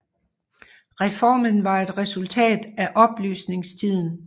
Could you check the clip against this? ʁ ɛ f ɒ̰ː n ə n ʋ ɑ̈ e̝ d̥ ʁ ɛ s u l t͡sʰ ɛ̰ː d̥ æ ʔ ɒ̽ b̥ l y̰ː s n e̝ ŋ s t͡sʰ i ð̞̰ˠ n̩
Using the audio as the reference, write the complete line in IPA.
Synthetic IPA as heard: ʁ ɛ f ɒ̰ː m ə n ʋ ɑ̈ e̝ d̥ ʁ ɛ s u l t͡sʰ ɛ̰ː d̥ æ ʔ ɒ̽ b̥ l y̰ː s n e̝ ŋ s t͡sʰ i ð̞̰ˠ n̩